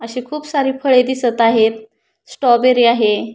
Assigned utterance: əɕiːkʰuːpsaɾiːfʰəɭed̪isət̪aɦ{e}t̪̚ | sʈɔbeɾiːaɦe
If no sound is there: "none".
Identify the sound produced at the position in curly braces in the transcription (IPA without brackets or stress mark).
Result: e